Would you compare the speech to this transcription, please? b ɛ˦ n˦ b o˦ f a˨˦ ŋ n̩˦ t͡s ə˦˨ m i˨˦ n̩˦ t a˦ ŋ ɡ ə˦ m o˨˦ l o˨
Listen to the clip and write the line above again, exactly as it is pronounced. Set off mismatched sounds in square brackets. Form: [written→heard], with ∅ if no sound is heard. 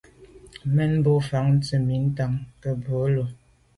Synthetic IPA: [b→m] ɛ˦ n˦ b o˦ f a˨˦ ŋ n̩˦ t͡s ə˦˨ m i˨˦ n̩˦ t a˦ ŋ [ɡ→k] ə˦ [m→b] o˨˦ l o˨